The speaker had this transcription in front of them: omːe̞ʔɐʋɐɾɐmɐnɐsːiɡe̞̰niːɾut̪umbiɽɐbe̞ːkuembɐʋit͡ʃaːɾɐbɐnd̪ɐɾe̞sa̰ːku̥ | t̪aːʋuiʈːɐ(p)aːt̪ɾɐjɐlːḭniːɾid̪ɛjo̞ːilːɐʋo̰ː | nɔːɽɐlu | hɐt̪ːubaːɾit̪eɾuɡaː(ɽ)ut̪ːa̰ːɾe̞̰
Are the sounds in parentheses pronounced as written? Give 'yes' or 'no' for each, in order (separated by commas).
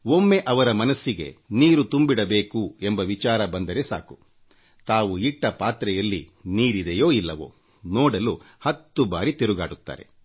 yes, yes